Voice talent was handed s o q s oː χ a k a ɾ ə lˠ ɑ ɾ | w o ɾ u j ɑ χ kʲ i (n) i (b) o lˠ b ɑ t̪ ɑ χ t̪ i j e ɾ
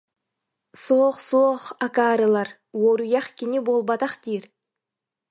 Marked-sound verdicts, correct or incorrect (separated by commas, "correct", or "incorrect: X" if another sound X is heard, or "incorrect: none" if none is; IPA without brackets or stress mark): correct, correct